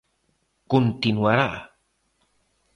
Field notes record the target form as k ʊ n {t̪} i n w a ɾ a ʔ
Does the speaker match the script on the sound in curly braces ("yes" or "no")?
yes